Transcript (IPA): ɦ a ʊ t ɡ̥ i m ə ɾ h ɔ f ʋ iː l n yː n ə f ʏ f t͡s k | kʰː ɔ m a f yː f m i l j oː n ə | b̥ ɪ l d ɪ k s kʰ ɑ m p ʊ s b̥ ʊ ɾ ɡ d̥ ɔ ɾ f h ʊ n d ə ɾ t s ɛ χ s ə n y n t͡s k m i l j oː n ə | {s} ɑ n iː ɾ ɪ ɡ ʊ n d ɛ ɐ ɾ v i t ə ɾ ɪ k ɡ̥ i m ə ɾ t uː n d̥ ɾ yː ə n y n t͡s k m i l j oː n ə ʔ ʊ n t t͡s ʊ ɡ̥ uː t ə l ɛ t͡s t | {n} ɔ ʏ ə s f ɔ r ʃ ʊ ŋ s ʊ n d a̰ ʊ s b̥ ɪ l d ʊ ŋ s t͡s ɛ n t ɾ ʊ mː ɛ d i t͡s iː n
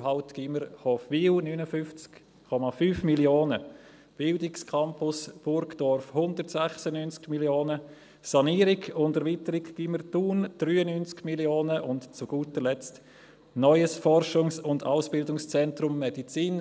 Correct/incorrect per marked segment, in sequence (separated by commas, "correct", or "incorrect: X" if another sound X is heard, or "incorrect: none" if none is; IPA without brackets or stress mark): correct, correct